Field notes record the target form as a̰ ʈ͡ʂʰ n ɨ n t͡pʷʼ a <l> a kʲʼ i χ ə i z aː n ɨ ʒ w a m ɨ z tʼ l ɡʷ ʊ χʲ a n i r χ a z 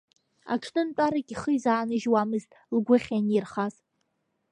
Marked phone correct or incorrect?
incorrect